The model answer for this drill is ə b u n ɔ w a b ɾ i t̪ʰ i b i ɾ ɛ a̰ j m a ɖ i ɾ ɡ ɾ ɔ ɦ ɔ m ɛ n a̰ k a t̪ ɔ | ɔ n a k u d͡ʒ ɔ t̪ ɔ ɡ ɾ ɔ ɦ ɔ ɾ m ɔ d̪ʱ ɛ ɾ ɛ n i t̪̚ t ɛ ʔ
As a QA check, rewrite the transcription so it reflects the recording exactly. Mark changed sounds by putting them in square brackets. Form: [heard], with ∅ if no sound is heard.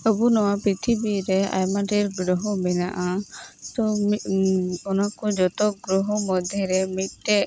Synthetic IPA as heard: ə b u n ɔ w a [p] ɾ i t̪ʰ i b i ɾ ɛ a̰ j m a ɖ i ɾ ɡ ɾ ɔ ɦ ɔ m ɛ n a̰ [ʔ] a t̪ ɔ | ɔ n a k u d͡ʒ ɔ t̪ ɔ ɡ ɾ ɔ ɦ ɔ [∅] m ɔ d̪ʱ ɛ ɾ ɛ [m] i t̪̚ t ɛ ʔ